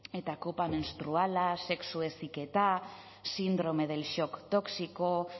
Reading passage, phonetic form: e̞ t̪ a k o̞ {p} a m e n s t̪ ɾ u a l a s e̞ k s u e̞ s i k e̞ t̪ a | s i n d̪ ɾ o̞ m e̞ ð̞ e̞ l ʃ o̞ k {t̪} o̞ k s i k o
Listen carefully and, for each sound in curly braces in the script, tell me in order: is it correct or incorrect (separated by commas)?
correct, correct